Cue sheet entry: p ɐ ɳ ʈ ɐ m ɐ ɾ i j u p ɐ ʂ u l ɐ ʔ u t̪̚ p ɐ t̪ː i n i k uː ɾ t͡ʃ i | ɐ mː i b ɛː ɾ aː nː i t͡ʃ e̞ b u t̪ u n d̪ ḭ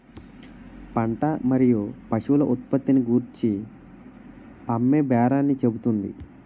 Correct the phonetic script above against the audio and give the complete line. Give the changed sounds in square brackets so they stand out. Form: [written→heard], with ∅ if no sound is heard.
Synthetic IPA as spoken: p ɐ ɳ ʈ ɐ m ɐ ɾ i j u p ɐ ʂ u l ɐ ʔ u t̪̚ p ɐ t̪ː i n i [k→ɡ] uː ɾ t͡ʃ i | ɐ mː [i→e] b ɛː ɾ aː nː i t͡ʃ e̞ b u t̪ u n d̪ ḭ